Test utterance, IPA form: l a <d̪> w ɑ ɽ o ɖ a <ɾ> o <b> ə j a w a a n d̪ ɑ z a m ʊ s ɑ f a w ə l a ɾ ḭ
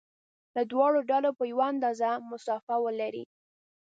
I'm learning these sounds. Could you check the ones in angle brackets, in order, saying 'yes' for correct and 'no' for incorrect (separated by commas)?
yes, no, no